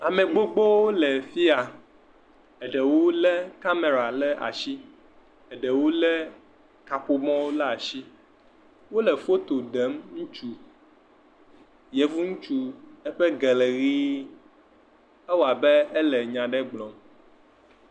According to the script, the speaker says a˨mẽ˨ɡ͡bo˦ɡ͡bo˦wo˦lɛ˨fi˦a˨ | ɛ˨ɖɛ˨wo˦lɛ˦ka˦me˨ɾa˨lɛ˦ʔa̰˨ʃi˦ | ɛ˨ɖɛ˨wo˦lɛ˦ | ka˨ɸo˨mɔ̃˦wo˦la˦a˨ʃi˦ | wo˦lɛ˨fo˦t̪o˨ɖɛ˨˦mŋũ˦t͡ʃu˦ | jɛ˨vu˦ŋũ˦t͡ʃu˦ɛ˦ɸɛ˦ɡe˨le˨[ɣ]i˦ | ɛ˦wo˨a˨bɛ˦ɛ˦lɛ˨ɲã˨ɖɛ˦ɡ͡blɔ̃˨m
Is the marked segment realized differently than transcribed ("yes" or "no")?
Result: no